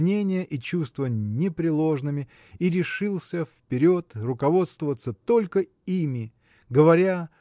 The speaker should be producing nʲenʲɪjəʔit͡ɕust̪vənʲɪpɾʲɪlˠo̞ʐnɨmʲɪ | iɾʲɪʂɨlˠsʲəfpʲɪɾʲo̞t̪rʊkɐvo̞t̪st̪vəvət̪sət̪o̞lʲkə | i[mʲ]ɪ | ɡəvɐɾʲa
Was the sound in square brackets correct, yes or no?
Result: yes